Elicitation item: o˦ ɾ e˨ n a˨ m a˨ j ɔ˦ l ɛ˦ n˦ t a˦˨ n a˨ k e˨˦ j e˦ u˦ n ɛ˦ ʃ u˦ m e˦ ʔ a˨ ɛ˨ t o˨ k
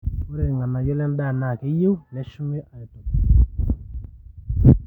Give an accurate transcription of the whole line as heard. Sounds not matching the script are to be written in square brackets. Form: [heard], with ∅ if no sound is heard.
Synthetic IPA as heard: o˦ ɾ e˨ [ŋ] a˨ [n] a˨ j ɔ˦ l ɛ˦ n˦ [d] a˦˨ n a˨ k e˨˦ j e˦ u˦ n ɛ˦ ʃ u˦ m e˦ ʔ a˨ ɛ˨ t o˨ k